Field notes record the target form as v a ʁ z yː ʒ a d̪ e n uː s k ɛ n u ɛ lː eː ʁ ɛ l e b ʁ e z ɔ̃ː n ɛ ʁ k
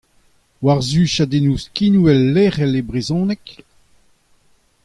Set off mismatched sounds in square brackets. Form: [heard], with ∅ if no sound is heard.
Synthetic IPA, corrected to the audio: [w] a ʁ z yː [ʃ] a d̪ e n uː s k [i] n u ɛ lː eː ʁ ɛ l e b ʁ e z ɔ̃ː n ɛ [∅] k